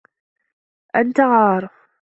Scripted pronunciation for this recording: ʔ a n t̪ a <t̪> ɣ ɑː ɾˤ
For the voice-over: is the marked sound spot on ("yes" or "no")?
no